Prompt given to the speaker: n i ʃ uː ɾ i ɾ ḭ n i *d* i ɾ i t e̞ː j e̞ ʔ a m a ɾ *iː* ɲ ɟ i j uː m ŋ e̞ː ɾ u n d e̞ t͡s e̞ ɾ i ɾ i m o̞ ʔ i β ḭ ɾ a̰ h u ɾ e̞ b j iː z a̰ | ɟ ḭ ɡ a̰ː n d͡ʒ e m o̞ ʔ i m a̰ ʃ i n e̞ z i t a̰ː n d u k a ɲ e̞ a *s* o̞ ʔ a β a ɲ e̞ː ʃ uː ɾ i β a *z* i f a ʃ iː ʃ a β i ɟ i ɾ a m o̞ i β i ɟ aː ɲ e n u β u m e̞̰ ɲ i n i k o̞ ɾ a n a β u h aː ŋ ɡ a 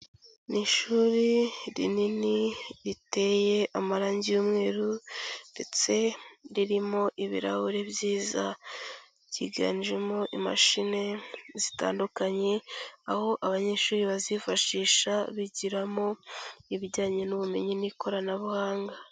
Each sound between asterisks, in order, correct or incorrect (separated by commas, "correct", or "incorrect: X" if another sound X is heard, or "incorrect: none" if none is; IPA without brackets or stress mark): incorrect: n, incorrect: aː, incorrect: h, correct